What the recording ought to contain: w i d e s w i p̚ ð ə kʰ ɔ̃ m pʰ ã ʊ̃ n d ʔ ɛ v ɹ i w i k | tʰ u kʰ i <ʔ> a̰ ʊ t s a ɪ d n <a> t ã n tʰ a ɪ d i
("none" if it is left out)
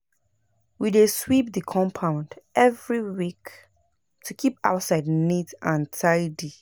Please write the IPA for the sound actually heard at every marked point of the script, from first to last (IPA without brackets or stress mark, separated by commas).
p, i